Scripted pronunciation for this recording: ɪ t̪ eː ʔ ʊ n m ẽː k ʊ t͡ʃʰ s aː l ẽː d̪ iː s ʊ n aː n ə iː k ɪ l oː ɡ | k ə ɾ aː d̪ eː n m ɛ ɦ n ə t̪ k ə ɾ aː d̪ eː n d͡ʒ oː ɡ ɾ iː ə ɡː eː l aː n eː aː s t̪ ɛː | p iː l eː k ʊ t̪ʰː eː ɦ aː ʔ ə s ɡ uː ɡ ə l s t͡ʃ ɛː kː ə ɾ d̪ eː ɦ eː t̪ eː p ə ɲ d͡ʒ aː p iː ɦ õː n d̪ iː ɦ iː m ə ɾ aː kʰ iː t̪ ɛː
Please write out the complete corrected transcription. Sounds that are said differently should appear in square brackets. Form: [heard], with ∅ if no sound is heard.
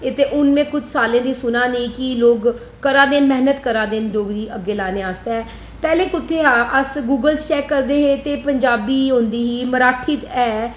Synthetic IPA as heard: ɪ t̪ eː ʔ ʊ n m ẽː k ʊ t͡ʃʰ s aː l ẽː d̪ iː s ʊ n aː n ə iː k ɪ l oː ɡ | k ə ɾ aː d̪ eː n m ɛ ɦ n ə t̪ k ə ɾ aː d̪ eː n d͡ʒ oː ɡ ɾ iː ə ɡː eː l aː n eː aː s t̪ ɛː | p [ɛː] l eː k ʊ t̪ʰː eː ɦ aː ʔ ə s ɡ uː ɡ ə l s t͡ʃ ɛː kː ə ɾ d̪ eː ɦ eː t̪ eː p ə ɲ d͡ʒ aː [b] iː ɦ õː n d̪ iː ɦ iː m ə ɾ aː [ʈʰ] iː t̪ ɛː